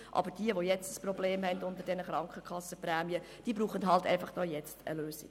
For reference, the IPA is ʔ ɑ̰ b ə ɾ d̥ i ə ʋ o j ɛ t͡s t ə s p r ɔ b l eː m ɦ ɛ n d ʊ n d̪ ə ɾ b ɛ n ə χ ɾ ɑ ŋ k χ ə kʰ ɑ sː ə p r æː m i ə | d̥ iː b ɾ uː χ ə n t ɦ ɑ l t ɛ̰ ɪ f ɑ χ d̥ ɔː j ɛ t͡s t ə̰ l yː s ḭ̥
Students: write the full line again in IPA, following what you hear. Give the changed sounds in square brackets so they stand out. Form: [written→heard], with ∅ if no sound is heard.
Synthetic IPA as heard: ʔ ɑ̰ b ə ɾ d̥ i ə ʋ o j ɛ t͡s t ə s p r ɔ b l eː m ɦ ɛ n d ʊ n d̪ ə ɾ [b→d] ɛ n ə χ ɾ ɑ ŋ k χ ə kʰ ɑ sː ə p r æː m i ə | d̥ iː b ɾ uː χ ə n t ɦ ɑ l t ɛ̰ ɪ f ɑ χ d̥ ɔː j ɛ t͡s t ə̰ l [yː→øː] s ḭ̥